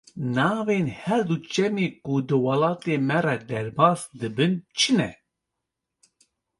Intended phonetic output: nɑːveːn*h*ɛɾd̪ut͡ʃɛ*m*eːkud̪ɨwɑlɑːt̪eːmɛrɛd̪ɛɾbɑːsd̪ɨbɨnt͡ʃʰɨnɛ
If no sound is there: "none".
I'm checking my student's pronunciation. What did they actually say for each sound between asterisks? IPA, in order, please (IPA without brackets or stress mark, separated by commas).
h, m